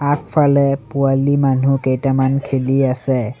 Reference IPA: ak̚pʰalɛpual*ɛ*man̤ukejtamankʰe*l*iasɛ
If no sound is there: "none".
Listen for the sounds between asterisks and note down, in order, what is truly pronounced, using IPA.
i, l

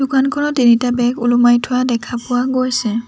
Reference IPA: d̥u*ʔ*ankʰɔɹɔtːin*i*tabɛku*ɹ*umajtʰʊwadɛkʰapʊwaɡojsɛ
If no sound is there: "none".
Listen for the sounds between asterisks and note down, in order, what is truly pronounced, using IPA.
k, i, l

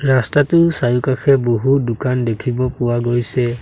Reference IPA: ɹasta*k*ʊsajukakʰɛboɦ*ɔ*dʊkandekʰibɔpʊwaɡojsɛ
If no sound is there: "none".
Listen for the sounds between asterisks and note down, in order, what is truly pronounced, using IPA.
t, u

